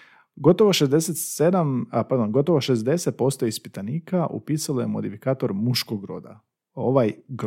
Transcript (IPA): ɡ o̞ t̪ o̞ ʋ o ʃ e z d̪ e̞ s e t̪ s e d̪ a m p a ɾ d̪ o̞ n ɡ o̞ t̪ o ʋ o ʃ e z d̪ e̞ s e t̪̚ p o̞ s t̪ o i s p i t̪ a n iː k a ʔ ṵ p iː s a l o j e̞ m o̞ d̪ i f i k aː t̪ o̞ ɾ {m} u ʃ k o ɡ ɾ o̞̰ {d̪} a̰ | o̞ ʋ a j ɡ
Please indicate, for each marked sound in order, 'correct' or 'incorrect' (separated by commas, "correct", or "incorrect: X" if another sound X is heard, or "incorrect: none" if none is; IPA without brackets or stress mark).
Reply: correct, correct